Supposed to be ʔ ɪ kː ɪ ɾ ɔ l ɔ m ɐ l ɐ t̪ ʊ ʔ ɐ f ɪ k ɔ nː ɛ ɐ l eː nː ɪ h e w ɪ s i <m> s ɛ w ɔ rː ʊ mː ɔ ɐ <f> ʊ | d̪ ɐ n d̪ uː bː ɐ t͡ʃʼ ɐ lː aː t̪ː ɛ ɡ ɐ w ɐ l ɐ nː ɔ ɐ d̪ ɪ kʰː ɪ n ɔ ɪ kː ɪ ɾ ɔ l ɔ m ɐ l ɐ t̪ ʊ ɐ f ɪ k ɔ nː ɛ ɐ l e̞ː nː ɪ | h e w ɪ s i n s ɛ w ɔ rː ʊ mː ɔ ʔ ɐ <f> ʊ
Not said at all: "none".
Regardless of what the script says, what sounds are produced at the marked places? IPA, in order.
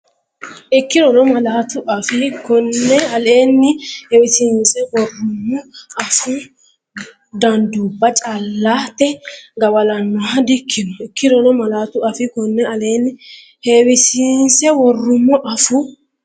n, f, f

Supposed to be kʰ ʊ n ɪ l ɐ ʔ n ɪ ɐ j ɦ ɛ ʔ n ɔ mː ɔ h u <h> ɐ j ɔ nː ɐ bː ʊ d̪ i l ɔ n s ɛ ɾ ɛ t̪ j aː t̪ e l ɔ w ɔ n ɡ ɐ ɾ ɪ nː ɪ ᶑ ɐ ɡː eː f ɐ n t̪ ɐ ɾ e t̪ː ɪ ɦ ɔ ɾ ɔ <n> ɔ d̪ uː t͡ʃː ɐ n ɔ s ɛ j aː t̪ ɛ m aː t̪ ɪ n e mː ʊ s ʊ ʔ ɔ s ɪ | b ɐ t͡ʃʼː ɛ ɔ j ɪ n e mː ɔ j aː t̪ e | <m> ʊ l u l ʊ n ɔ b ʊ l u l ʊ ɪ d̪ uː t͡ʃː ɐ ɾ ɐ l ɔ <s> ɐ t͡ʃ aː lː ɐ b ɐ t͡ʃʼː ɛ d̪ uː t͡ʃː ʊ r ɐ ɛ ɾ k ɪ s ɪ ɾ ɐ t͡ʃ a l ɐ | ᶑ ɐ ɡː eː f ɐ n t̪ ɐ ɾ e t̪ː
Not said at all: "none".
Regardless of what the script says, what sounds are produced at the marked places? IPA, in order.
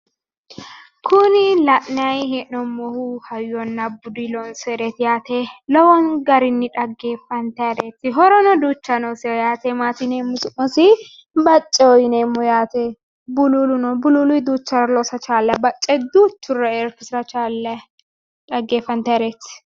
h, n, b, s

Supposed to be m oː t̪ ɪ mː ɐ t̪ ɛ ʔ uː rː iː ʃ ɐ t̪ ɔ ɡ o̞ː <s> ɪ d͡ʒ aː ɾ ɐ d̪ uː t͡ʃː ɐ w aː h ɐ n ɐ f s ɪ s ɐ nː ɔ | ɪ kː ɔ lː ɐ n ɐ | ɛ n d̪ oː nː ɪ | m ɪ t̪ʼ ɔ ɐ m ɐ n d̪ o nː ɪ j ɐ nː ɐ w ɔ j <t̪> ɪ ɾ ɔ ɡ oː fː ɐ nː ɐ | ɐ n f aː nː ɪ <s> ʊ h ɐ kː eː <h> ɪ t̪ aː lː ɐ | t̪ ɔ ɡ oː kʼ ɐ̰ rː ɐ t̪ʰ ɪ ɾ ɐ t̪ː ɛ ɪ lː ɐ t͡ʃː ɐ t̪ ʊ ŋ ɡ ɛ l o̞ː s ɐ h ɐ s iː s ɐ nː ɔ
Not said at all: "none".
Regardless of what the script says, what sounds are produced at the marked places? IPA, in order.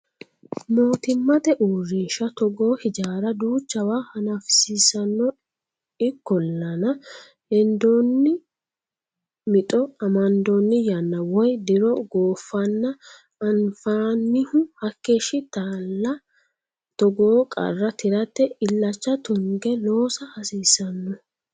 h, d̪, h, ʃ

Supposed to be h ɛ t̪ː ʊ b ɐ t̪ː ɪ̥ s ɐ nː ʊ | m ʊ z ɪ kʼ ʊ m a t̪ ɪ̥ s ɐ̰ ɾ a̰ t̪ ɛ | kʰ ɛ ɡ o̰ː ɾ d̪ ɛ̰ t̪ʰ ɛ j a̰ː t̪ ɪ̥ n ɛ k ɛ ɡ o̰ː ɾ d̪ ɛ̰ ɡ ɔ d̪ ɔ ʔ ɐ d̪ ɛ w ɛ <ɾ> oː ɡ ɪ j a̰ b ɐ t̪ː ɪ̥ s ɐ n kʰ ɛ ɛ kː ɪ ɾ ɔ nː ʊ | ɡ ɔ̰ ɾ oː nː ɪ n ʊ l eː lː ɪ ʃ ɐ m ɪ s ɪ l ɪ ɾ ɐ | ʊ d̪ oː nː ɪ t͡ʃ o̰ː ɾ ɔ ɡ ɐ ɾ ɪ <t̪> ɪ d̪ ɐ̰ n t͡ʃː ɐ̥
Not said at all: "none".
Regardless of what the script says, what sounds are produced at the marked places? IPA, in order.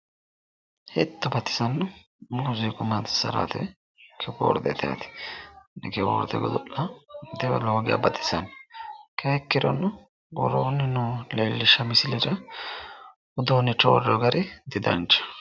l, d̪

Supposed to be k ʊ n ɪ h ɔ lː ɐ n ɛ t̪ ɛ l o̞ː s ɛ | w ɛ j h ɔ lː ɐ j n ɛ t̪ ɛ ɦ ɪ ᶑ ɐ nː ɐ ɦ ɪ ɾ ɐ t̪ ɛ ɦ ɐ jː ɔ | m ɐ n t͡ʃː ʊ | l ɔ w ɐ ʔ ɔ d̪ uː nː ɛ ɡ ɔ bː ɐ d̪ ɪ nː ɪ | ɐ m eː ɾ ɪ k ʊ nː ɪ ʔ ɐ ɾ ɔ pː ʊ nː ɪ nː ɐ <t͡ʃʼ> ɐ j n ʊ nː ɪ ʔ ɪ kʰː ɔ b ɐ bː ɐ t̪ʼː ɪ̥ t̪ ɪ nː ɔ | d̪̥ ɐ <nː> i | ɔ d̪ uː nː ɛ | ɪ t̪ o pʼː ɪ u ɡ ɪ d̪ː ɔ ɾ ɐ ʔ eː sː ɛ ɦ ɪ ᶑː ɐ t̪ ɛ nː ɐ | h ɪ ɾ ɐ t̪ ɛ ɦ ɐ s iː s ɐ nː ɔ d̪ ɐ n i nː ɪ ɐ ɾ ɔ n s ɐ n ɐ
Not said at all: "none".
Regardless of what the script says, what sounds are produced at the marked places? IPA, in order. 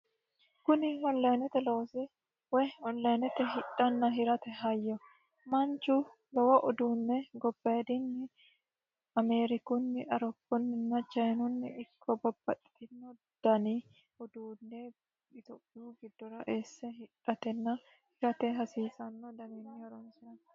t͡ʃ, n

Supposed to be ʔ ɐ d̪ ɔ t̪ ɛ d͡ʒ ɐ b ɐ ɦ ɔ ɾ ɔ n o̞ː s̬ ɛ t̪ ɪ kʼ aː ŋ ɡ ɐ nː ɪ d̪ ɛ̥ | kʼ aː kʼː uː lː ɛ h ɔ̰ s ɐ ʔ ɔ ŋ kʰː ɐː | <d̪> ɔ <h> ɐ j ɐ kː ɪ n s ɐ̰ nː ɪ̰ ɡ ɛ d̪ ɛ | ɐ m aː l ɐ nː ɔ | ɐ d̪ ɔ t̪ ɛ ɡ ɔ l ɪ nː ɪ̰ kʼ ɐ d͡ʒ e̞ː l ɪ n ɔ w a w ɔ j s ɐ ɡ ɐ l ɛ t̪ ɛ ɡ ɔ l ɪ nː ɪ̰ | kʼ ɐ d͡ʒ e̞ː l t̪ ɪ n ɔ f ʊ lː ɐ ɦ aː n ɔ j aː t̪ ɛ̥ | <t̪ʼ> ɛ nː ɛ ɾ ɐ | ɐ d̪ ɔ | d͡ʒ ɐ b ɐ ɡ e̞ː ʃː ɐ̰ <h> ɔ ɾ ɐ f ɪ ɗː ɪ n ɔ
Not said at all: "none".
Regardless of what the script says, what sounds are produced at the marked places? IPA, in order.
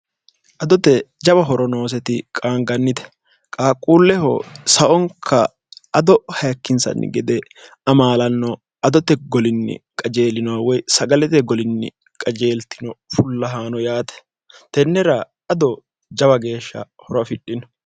d̪, h, t̪, h

